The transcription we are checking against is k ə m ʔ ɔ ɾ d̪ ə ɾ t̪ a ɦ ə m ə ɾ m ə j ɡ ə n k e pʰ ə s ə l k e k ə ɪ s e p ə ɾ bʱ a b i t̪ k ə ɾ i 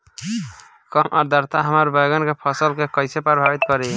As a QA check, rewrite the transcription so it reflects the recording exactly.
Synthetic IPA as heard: k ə m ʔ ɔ ɾ d̪ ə ɾ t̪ a ɦ ə m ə ɾ b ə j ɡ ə n k e pʰ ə s ə l k e k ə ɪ s e p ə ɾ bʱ a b i t̪ k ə ɾ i